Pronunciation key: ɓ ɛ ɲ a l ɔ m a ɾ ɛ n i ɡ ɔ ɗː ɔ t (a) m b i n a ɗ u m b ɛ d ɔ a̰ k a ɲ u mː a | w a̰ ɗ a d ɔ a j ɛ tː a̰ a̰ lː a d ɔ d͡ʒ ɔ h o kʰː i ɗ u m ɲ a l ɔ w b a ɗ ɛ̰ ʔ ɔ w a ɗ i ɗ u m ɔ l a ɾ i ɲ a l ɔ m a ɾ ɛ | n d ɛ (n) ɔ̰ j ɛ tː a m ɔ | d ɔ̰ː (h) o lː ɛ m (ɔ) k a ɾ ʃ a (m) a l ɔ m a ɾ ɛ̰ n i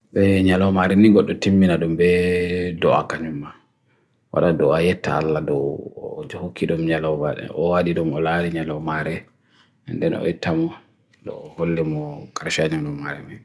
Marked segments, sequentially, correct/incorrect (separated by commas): incorrect, correct, correct, correct, incorrect